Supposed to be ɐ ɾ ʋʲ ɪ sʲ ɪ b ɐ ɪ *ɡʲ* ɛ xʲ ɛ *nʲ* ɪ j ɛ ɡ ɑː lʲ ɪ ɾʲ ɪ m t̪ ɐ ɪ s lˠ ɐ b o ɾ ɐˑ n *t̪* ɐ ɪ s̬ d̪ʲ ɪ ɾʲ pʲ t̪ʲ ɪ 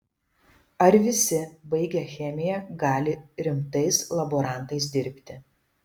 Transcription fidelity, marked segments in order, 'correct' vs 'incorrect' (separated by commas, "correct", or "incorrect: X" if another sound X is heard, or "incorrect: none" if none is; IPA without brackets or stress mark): correct, incorrect: mʲ, correct